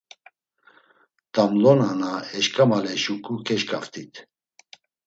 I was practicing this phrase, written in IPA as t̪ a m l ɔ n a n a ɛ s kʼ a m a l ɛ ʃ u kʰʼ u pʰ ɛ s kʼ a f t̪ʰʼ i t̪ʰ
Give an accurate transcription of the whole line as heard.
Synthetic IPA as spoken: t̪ a m l ɔ n a n a ɛ ʃ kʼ a m a l ɛ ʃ u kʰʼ u kʰ ɛ ʃ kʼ a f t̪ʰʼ i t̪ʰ